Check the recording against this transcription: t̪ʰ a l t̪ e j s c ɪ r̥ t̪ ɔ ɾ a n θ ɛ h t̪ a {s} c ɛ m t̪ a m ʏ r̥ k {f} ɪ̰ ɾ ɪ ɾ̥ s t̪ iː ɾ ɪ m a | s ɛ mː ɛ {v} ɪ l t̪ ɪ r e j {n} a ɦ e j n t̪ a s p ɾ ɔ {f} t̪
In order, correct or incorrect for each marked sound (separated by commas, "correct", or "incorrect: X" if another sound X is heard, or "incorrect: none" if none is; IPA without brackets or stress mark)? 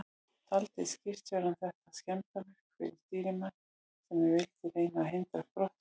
correct, correct, correct, correct, incorrect: h